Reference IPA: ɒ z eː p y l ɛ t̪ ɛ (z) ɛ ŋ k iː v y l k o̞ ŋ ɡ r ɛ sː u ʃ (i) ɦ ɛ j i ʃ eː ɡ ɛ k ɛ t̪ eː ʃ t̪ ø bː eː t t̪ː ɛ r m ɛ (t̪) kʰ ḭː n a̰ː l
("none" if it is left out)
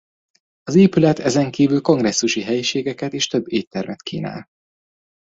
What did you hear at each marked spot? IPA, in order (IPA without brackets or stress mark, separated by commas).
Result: z, i, t̪